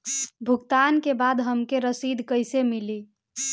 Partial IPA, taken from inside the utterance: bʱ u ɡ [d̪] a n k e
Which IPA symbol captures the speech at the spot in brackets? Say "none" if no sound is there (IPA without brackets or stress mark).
t̪